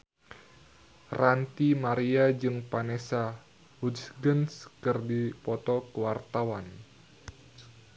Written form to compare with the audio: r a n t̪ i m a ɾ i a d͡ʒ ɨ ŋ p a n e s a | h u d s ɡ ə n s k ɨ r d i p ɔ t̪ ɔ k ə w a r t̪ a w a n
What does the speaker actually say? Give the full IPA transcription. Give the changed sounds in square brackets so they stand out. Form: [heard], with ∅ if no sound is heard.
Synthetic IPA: r a n t̪ i m a ɾ i a d͡ʒ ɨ ŋ p a n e s a | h u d s ɡ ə n s k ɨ r d i p ɔ t̪ ɔ k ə w a r t̪ a w a n